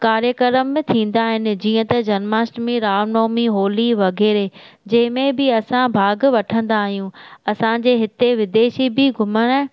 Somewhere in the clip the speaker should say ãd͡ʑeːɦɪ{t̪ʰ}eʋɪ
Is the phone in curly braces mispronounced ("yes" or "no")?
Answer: yes